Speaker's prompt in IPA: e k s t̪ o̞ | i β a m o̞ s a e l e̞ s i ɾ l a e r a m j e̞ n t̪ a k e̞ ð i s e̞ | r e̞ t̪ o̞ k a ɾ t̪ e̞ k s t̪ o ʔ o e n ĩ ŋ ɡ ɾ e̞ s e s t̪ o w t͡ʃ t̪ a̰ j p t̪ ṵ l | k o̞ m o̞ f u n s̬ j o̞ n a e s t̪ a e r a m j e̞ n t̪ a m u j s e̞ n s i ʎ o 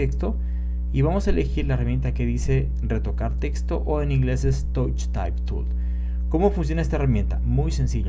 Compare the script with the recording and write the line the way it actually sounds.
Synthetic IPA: e k s t̪ o̞ | i β a m o̞ s a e l e̞ x i ɾ l a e r a m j e̞ n t̪ a k e̞ ð i s e̞ | r e̞ t̪ o̞ k a ɾ t̪ e̞ k s t̪ o ʔ o e n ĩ ŋ ɡ l e̞ s e s t̪ o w t͡ʃ t̪ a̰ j p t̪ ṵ l | k o̞ m o̞ f u n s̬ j o̞ n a e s t̪ a e r a m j e̞ n t̪ a m u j s e̞ n s i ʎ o

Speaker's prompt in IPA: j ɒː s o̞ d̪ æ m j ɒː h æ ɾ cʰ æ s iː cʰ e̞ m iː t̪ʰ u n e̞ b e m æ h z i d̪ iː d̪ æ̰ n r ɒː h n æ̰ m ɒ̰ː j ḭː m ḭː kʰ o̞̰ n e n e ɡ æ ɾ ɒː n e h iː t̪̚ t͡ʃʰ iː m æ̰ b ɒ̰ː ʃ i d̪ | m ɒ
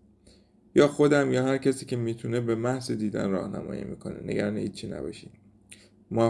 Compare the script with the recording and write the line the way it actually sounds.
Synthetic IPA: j ɒː x o̞ d̪ æ m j ɒː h æ ɾ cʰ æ s iː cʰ e̞ m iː t̪ʰ u n e̞ b e m æ h z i d̪ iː d̪ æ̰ n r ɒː h n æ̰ m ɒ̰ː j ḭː m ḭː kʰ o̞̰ n e n e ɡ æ ɾ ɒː n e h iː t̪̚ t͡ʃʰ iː n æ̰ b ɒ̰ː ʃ i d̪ | m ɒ

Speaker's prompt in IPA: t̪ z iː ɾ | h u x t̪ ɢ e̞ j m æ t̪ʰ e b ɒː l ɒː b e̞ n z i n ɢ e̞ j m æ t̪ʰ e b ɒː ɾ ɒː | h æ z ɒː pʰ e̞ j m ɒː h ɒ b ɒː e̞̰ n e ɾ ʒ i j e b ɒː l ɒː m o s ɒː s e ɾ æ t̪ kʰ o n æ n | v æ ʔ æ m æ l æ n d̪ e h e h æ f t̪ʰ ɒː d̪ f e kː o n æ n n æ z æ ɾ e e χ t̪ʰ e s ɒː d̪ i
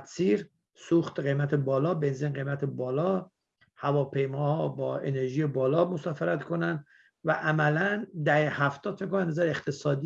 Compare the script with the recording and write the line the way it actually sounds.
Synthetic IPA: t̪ s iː ɾ | s u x t̪ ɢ e̞ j m æ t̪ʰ e b ɒː l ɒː b e̞ n z i n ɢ e̞ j m æ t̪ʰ e b ɒː l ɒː | h æ v ɒː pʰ e̞ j m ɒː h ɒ b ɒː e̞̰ n e ɾ ʒ i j e b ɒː l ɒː m o s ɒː f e ɾ æ t̪ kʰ o n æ n | v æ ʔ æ m æ l æ n d̪ æ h e h æ f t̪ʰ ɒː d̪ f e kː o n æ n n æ z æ ɾ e e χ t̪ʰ e s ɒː d̪ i

